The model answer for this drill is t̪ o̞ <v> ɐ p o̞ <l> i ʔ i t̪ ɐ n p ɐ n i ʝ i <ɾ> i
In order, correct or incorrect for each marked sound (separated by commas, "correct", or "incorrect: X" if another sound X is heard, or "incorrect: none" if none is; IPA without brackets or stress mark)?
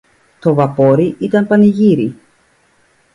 correct, incorrect: ɾ, correct